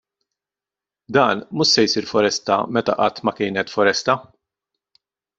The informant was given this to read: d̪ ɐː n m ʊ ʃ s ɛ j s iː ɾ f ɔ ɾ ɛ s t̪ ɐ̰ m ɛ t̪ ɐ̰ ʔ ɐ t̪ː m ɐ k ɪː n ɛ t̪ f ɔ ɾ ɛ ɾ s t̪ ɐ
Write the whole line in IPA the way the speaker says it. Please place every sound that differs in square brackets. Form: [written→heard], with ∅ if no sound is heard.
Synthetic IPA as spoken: d̪ ɐː n m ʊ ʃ s ɛ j s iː ɾ f ɔ ɾ ɛ s t̪ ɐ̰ m ɛ t̪ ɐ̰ ʔ ɐ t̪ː m ɐ k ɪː n ɛ t̪ f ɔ ɾ ɛ [ɾ→∅] s t̪ ɐ